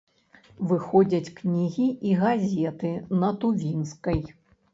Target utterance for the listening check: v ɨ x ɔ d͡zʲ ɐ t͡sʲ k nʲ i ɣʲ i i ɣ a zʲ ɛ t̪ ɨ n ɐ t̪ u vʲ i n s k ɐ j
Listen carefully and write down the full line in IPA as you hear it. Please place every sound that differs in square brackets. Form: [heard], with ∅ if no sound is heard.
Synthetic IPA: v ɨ x ɔ d͡zʲ ɐ t͡sʲ k nʲ i ɣʲ i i ɣ a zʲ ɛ t̪ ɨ n ɐ t̪ u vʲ i n s k ɐ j